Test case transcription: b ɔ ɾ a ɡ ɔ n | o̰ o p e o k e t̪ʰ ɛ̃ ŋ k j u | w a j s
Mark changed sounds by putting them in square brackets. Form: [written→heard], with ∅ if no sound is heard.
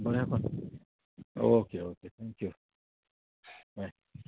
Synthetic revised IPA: b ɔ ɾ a [ɡ→k] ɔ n | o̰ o [p→k] e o k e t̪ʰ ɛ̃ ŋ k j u | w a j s